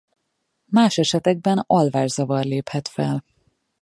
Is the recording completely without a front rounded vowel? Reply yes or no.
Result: yes